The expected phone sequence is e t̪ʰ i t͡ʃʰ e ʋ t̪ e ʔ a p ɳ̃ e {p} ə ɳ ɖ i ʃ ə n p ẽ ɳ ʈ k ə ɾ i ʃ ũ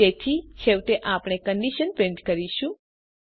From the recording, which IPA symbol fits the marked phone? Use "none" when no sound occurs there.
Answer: k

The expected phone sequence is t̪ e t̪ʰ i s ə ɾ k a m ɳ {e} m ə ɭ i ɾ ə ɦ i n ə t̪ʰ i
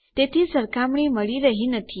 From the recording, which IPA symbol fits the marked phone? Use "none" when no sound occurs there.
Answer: i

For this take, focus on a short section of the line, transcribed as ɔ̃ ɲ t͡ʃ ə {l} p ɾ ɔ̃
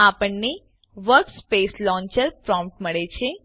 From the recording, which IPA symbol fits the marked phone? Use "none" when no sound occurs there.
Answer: ɾ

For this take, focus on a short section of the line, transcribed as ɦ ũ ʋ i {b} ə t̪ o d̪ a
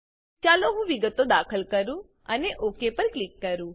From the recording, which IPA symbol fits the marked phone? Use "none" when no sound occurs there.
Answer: ɡ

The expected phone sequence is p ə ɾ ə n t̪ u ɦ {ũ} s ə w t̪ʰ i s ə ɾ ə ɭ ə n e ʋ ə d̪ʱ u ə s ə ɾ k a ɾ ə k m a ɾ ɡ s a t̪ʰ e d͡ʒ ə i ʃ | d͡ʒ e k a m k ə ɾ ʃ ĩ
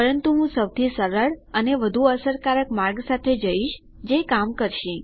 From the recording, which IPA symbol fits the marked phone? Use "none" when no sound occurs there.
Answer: ũ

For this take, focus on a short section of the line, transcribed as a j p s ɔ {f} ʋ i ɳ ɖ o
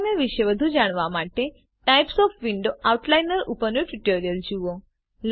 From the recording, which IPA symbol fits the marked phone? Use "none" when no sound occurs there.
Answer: f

